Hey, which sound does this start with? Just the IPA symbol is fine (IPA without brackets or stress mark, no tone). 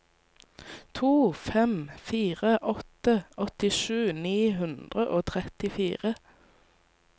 t̪ʰ